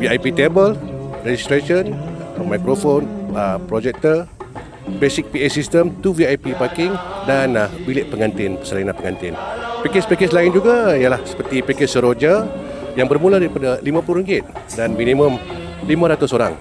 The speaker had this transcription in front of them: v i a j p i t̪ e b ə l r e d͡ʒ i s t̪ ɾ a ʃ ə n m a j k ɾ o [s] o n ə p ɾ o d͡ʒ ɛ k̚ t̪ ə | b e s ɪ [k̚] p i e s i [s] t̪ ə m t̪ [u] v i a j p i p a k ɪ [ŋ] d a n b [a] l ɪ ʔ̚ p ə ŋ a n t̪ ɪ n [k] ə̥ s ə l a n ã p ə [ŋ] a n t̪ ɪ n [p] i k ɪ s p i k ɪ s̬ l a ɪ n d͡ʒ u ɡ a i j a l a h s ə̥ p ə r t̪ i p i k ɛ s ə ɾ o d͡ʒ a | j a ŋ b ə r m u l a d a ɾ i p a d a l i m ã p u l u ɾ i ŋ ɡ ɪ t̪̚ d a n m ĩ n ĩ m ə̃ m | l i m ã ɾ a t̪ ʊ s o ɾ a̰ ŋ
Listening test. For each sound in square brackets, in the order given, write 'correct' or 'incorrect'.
incorrect, correct, correct, correct, correct, incorrect, incorrect, correct, correct

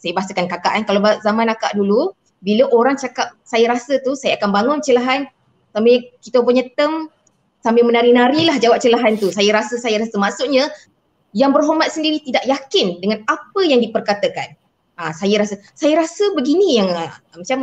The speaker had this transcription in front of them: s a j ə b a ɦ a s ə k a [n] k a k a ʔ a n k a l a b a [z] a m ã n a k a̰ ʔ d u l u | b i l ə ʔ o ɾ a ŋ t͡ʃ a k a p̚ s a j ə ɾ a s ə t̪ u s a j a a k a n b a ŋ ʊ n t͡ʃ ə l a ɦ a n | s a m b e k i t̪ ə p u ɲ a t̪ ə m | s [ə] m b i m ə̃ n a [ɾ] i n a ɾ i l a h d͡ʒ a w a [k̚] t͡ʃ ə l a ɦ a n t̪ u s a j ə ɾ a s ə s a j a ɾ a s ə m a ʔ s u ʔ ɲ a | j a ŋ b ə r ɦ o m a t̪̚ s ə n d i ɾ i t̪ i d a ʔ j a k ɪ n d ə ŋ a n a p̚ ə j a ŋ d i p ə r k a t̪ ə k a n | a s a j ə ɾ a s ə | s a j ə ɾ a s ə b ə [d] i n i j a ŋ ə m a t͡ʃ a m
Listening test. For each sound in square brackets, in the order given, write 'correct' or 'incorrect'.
correct, correct, incorrect, correct, incorrect, incorrect

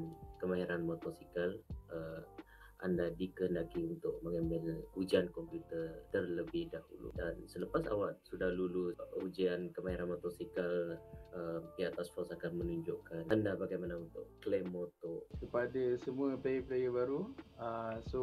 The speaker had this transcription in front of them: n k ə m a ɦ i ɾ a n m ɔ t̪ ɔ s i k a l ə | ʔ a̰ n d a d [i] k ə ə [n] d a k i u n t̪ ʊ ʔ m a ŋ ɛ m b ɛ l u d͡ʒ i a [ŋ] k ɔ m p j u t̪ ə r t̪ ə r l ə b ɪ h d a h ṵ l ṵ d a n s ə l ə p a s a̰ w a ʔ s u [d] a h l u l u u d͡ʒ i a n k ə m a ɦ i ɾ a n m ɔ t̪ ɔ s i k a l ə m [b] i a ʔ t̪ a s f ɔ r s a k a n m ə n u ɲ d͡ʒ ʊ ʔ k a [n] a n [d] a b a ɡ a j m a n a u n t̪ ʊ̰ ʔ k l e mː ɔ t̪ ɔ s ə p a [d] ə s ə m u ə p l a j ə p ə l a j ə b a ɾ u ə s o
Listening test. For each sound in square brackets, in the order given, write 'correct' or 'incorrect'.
correct, correct, incorrect, correct, incorrect, correct, correct, correct

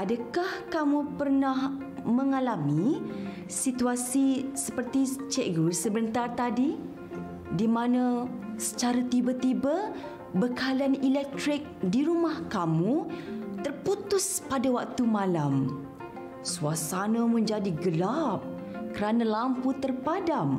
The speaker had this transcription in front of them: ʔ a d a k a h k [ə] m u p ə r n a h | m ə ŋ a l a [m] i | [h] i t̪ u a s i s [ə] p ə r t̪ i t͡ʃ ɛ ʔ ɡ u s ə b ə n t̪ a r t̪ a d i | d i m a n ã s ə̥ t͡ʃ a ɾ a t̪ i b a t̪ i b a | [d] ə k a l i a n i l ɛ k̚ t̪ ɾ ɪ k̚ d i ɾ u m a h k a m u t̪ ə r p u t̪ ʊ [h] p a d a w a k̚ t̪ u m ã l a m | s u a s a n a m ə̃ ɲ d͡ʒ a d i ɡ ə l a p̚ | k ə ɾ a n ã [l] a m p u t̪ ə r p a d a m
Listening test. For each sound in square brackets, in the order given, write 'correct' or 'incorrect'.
incorrect, correct, incorrect, correct, incorrect, incorrect, correct

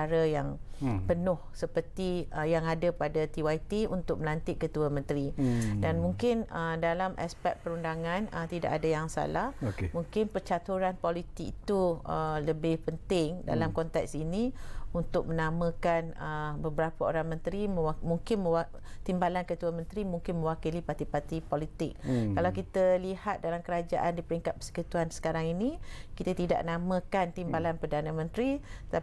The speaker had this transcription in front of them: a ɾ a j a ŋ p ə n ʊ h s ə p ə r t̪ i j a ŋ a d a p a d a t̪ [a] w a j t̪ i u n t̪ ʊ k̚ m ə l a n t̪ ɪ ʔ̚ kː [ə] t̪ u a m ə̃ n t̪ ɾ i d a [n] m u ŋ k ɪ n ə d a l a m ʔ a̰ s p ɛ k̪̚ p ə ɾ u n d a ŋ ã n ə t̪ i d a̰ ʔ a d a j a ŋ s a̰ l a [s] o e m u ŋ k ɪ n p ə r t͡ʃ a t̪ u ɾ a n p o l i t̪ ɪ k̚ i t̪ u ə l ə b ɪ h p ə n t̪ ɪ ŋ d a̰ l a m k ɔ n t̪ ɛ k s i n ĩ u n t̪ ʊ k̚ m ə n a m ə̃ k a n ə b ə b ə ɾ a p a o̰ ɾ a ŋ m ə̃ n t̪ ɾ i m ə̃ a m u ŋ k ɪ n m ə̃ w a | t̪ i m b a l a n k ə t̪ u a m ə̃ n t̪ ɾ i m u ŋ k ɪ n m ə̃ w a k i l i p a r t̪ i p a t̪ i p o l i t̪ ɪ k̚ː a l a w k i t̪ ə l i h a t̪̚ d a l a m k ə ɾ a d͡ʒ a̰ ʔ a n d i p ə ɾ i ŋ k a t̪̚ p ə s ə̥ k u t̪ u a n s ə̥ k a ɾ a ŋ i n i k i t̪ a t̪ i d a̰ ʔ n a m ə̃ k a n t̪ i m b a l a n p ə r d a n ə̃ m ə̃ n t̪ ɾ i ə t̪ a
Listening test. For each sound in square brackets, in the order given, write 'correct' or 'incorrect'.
incorrect, correct, correct, incorrect

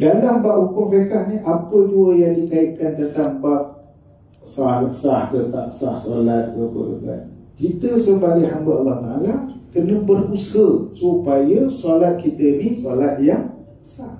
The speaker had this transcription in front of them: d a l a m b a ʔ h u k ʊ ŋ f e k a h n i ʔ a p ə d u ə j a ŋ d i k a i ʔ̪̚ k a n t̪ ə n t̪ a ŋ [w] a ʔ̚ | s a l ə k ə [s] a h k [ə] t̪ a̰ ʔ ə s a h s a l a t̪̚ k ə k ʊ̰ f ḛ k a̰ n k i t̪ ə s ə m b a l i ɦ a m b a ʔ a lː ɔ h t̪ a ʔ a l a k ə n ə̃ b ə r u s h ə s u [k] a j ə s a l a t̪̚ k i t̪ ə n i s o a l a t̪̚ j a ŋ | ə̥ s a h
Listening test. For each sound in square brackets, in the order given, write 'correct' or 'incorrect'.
incorrect, correct, correct, incorrect

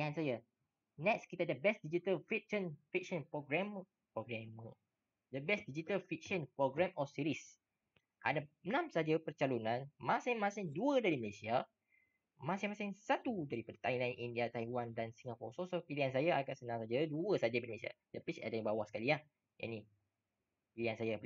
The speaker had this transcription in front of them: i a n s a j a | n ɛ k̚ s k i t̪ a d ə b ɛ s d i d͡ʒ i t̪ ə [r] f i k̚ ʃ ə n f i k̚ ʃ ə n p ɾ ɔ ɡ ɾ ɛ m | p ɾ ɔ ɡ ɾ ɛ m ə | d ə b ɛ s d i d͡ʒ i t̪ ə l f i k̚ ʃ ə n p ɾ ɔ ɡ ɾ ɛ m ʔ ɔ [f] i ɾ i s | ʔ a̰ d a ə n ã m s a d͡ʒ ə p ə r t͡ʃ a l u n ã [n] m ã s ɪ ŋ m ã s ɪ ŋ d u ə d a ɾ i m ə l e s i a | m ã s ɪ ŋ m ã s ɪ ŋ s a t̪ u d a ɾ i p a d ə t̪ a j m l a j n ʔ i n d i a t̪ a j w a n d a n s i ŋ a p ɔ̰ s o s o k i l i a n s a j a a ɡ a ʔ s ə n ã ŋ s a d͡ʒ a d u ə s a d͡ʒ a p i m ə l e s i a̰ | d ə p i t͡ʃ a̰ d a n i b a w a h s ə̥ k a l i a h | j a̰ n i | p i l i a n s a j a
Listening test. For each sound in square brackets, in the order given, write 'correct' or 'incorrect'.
incorrect, incorrect, correct

